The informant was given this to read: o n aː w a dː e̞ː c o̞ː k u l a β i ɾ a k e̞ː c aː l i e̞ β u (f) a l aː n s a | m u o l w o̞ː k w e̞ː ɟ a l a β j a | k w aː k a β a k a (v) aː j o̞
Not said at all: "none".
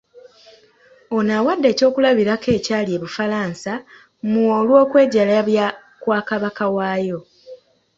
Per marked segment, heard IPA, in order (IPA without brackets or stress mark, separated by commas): f, w